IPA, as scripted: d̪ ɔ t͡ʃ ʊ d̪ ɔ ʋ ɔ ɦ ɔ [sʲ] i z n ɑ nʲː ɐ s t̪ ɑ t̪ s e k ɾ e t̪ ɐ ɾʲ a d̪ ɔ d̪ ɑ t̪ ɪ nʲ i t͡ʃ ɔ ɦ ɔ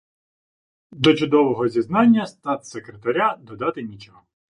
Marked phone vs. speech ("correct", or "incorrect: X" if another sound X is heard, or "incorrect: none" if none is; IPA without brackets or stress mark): incorrect: zʲ